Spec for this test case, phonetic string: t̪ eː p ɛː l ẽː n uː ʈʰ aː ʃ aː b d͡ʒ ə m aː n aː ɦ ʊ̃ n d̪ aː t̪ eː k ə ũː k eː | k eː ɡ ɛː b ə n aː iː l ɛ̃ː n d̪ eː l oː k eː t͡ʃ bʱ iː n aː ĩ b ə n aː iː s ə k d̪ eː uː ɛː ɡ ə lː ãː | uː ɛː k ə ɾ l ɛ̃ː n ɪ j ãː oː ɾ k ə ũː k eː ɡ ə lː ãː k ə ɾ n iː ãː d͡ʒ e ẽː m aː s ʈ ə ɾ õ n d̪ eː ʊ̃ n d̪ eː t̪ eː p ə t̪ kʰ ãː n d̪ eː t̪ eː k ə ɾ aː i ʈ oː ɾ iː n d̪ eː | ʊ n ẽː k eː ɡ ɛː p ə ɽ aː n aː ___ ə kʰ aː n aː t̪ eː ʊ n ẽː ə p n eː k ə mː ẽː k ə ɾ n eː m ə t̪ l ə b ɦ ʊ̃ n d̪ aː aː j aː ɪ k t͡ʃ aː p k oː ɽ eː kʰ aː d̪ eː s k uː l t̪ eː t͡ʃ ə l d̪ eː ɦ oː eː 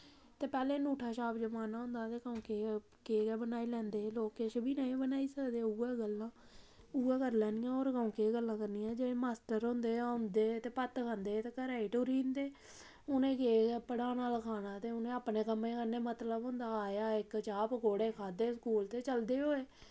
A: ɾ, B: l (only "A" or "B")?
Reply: B